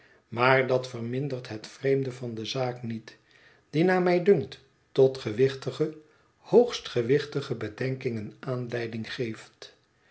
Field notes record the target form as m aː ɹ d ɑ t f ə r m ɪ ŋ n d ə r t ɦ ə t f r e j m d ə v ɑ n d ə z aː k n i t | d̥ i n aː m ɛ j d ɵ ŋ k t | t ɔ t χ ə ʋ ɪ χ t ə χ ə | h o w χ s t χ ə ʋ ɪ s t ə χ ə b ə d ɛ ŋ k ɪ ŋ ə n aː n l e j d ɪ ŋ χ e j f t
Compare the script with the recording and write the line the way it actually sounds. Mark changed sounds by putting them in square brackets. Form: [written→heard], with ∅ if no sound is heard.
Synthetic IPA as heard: m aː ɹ d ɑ t f ə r m ɪ [ŋ→∅] n d ə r t ɦ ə t f r e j m d ə v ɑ n d ə z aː k n i t | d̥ i n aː m ɛ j d ɵ ŋ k t | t ɔ t χ ə ʋ ɪ χ t ə χ ə | h o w χ s t χ ə ʋ ɪ [s→χ] t ə χ ə b ə d ɛ ŋ k ɪ ŋ ə n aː n l [e→ɛ] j d ɪ ŋ χ e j f t